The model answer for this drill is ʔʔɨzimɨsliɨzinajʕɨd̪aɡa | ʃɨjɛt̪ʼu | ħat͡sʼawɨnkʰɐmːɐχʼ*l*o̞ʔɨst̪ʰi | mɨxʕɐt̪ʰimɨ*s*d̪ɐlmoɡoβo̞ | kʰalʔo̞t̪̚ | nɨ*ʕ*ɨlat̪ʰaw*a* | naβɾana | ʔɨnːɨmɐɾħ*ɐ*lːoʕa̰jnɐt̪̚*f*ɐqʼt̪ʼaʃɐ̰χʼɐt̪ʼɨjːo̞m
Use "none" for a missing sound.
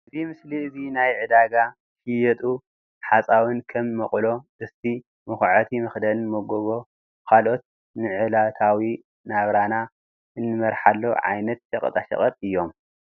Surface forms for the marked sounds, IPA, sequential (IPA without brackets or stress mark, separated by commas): l, x, ʕ, i, a, ʃ